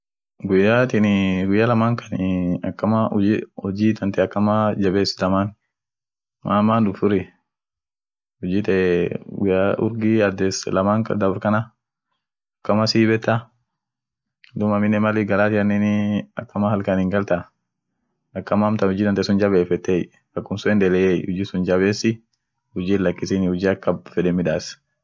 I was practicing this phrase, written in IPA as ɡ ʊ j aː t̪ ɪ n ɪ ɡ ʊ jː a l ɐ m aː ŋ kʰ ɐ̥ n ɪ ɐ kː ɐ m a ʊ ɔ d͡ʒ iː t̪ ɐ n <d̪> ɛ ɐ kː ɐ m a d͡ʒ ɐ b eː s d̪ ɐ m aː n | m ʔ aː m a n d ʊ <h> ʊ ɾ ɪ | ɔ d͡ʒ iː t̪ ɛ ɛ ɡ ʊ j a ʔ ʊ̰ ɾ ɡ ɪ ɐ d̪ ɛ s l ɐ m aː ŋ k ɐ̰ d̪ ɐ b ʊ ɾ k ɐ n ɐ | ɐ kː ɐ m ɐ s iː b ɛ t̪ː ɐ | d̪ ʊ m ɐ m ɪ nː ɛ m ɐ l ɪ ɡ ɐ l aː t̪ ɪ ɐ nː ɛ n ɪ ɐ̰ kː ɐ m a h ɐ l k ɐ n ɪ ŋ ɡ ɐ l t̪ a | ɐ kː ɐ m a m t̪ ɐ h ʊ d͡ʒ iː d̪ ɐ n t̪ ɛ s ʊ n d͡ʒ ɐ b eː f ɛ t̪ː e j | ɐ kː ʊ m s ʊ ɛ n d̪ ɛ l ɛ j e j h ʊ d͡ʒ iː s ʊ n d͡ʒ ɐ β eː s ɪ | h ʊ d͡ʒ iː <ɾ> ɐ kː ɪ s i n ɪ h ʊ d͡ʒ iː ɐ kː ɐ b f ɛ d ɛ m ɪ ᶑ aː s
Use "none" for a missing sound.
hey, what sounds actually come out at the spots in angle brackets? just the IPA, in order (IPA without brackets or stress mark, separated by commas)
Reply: t̪, f, l